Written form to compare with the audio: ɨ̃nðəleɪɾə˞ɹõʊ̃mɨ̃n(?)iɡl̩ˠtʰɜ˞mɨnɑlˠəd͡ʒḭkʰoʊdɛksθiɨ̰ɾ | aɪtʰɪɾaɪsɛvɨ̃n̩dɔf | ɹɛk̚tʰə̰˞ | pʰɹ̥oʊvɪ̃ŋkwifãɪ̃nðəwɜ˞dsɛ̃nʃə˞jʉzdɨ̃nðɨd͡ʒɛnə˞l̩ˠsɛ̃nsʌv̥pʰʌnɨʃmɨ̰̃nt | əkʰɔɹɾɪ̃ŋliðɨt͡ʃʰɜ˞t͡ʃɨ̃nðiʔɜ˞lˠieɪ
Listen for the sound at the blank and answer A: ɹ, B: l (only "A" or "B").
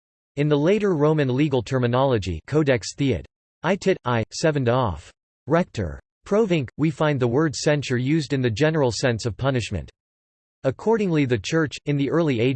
B